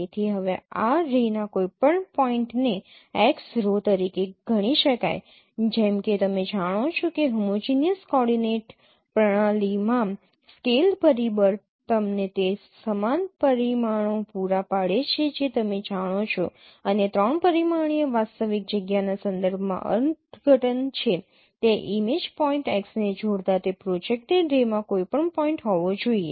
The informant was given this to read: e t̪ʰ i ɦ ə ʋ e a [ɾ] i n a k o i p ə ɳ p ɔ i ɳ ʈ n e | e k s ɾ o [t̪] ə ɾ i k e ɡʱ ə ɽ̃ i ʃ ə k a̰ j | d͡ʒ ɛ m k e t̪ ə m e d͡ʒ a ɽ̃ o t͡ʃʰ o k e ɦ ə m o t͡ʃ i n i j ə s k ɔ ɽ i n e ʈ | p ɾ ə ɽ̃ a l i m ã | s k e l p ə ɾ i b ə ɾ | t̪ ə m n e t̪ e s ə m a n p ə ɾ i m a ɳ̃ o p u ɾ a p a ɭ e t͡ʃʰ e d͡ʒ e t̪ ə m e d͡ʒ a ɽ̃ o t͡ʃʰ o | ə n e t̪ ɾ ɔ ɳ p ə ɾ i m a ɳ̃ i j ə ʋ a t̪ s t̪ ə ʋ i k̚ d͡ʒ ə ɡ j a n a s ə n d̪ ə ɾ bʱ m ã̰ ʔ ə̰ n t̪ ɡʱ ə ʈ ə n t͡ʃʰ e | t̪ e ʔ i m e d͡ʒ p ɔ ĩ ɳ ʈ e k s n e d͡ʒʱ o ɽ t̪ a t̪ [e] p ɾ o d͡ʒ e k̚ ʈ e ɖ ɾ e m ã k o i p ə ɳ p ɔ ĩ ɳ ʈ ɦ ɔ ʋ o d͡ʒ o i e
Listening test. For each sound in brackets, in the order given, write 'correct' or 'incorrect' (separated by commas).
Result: correct, correct, correct